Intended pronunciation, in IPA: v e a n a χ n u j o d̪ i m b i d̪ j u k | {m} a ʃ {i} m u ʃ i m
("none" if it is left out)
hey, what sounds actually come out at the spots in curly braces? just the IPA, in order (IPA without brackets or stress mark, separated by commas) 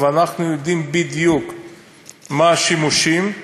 m, i